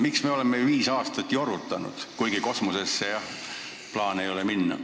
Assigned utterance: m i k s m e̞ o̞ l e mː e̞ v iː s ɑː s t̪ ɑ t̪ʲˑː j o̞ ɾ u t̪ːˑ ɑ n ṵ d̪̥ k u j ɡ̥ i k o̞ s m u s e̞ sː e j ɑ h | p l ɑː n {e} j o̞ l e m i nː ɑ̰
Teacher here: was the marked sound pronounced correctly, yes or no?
yes